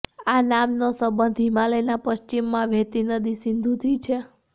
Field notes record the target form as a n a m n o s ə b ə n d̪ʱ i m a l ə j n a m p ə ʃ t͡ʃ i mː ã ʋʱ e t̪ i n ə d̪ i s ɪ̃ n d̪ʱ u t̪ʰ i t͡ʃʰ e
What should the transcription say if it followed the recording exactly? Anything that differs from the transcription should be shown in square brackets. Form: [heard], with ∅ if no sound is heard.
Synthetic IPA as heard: a n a m n o s ə b ə n d̪ʱ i m a l ə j n a [∅] p ə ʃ t͡ʃ i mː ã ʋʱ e t̪ i n ə d̪ i s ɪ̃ n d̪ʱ u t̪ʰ i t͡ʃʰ e